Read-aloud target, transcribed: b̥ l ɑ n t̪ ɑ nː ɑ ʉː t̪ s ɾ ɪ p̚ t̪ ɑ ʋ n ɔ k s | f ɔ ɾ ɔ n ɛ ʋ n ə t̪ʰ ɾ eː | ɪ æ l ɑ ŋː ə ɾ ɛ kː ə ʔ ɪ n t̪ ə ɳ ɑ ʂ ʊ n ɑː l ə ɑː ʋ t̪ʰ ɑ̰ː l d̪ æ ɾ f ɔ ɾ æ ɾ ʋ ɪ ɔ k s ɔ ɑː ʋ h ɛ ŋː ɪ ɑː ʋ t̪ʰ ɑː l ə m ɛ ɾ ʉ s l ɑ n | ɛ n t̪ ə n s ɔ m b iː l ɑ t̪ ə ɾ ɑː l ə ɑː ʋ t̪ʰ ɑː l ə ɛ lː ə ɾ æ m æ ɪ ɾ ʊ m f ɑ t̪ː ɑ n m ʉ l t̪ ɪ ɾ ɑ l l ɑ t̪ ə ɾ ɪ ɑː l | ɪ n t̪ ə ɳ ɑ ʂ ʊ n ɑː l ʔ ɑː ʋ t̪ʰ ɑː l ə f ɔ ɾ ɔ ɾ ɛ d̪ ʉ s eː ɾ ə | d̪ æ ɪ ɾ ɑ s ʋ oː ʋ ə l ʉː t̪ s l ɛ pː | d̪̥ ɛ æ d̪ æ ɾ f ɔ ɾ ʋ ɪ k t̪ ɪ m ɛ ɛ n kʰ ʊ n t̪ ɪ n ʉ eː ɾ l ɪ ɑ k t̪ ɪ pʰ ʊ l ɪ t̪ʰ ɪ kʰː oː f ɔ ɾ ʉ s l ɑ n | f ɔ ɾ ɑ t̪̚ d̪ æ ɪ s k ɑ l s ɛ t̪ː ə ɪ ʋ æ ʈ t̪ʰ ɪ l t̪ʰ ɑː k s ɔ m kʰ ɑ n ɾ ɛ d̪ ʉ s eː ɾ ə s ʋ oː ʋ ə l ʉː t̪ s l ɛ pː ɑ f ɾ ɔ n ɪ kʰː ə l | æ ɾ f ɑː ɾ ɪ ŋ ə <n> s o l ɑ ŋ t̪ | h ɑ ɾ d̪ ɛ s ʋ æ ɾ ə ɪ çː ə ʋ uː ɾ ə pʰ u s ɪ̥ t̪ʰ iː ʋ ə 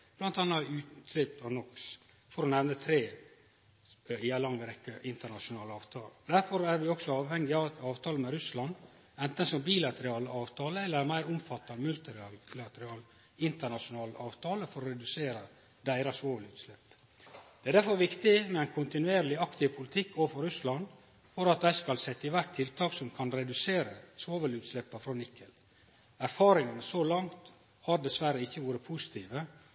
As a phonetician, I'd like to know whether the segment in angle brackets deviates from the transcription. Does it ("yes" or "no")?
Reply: no